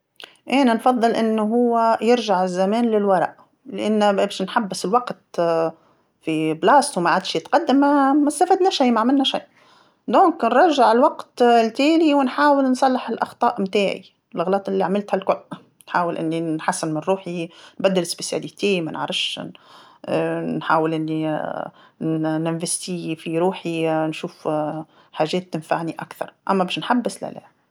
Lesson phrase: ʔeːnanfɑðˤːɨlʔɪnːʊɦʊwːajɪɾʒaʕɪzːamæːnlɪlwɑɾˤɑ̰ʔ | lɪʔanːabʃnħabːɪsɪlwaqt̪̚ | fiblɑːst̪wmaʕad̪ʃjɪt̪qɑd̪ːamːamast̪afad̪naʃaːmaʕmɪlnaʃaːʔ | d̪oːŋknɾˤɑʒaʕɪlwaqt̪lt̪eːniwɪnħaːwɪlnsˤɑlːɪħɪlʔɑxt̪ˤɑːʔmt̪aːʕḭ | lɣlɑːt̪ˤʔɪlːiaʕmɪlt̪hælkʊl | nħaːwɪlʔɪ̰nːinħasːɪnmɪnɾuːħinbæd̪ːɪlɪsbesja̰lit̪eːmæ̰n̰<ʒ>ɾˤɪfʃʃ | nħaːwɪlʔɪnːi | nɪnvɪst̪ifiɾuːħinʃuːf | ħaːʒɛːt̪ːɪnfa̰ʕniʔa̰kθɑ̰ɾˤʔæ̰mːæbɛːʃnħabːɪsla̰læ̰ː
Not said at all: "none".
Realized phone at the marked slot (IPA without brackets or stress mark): ʕ